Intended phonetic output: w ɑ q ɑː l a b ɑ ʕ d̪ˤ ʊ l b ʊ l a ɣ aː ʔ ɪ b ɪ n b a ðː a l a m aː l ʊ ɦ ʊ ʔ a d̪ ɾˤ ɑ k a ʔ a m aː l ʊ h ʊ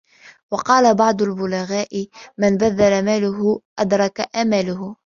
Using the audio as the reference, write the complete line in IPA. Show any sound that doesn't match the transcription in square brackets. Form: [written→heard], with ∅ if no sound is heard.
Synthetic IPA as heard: w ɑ q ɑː l a b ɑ ʕ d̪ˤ ʊ l b ʊ l a ɣ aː ʔ ɪ [b→m] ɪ n b a ðː a l a m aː l ʊ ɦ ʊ ʔ a d̪ ɾˤ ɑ k a ʔ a m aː l ʊ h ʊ

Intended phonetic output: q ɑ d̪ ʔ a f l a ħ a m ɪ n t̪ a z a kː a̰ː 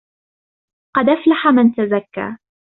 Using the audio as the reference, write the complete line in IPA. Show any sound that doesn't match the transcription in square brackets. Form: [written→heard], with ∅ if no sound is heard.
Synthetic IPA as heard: q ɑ d̪ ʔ a f l a ħ a m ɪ n t̪ a z a kː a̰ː

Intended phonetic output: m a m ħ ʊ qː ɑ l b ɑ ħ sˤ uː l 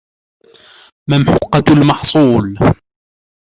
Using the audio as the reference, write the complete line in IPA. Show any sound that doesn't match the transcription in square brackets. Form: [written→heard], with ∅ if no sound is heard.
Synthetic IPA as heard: m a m ħ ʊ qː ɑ l [b→m] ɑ ħ sˤ uː l

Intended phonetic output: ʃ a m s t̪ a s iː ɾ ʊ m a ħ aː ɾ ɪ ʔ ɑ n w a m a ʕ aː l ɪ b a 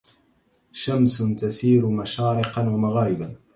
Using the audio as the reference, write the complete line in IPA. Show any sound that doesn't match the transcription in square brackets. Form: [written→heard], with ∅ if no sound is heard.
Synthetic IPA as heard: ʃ a m s t̪ a s iː ɾ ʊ m a [ħ→ʃ] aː ɾ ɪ [ʔ→q] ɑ n w a m a [ʕ→ɣ] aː [l→ɾ] ɪ b a

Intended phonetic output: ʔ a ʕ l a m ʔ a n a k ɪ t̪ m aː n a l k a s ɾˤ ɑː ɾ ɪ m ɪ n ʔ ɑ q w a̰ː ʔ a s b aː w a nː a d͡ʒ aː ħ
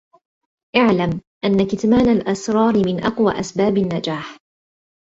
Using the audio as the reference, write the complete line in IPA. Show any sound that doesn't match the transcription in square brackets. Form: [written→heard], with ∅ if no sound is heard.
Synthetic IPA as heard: ʔ a ʕ l a m ʔ a [n→nː] a k ɪ t̪ m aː n a l [k→ʔ] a s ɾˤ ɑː ɾ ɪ m ɪ n ʔ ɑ q w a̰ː ʔ a s b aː [w→b] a nː a d͡ʒ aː ħ

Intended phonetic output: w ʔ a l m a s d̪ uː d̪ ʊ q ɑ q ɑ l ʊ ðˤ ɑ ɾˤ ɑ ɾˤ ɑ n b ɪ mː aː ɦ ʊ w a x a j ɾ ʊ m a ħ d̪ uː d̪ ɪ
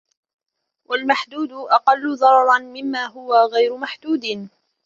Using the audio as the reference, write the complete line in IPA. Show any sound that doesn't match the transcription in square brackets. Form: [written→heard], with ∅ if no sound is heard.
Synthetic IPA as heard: w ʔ a l m a [s→ħ] d̪ uː d̪ ʊ [q→ʔ] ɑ q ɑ [l→lː] ʊ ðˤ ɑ ɾˤ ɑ ɾˤ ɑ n [b→m] ɪ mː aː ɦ ʊ w a [x→ɣ] a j ɾ ʊ m a ħ d̪ uː d̪ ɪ

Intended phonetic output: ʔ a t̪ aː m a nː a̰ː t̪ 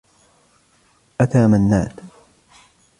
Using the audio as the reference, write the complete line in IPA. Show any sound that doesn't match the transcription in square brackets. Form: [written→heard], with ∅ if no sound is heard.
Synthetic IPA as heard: ʔ a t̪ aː m a nː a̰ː t̪

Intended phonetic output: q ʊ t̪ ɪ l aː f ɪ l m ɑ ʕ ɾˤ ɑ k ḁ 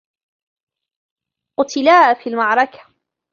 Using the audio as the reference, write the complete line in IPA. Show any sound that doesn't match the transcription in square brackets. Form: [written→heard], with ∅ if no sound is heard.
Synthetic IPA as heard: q ʊ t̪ ɪ l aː f [ɪ→i] l m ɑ ʕ ɾˤ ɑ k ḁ

